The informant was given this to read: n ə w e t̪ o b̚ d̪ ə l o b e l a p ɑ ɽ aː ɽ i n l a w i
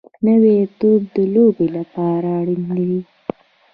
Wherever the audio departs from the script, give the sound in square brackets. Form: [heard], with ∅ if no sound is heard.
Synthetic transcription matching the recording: n ə w e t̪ o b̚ d̪ ə l o b e l a p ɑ [ɾ] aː ɽ i n l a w i